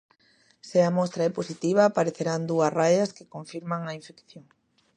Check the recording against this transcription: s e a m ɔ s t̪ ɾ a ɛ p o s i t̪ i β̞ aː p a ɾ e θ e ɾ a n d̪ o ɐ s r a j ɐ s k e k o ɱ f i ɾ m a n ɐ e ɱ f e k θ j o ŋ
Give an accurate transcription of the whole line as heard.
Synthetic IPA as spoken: s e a m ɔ s t̪ ɾ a ɛ p o s i t̪ i β̞ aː p a ɾ e θ e ɾ a n d̪ u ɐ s r a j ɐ s k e k o ɱ f i ɾ m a ŋ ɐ i ɱ f e k θ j o ŋ